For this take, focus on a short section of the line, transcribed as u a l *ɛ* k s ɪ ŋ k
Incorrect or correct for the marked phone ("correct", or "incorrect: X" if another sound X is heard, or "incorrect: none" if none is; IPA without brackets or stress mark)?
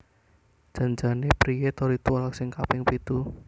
incorrect: a